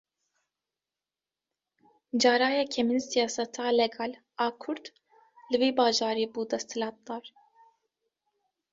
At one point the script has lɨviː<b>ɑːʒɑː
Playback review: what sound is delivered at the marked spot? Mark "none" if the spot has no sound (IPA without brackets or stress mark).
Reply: b